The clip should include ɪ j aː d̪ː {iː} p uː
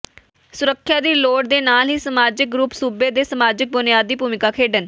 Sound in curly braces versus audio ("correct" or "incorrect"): correct